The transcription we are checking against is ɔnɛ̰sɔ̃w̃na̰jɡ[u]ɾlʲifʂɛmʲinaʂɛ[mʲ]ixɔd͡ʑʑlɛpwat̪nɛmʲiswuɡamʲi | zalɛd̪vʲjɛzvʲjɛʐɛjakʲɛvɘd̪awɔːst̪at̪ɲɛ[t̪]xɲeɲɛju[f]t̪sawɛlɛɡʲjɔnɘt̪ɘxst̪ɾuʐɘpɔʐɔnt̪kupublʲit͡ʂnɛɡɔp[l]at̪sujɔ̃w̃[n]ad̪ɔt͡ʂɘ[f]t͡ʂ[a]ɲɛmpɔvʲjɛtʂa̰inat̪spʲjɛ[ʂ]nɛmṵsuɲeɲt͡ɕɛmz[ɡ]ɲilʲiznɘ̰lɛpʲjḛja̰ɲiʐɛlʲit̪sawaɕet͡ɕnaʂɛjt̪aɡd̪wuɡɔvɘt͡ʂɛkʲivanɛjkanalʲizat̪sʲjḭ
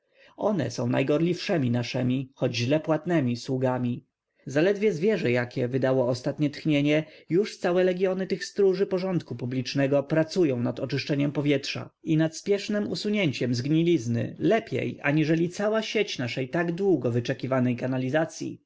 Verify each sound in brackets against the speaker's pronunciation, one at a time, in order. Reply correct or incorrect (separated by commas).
incorrect, correct, correct, incorrect, incorrect, correct, incorrect, incorrect, correct, correct